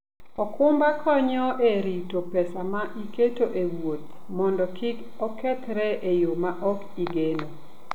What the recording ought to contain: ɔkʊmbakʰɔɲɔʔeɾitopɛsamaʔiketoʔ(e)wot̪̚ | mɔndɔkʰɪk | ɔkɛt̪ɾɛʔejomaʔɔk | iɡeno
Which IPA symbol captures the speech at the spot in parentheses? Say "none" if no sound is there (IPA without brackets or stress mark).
e